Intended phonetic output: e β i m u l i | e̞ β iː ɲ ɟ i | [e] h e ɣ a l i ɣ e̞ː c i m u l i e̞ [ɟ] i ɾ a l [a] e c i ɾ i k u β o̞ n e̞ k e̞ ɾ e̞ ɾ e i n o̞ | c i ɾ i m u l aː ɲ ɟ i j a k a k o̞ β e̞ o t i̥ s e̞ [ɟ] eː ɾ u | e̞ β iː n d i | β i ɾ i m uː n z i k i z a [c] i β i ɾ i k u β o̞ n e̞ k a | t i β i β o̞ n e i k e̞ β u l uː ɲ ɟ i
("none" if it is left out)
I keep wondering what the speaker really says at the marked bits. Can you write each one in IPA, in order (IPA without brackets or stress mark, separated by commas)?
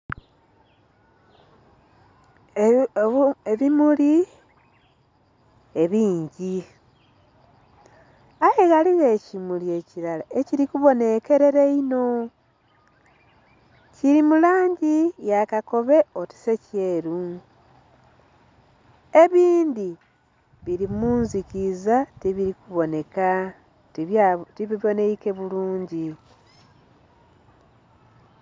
a, c, a, c, t